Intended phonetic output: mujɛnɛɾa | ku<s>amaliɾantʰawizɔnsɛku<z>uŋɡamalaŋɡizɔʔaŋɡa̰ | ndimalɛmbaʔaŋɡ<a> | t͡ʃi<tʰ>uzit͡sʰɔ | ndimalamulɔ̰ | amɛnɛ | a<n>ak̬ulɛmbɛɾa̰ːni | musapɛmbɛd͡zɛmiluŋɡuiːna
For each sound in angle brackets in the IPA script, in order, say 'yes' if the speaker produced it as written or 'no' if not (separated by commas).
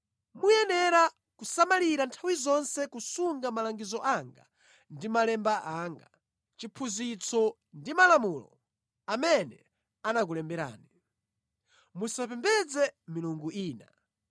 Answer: yes, no, yes, no, yes